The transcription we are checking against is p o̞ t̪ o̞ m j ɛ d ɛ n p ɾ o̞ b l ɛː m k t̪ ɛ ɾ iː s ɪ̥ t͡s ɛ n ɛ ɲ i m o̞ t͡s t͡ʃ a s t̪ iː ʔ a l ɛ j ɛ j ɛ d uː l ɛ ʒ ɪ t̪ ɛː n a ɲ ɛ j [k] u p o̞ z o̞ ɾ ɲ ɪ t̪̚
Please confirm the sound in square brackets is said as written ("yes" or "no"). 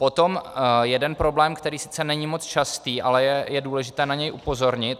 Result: no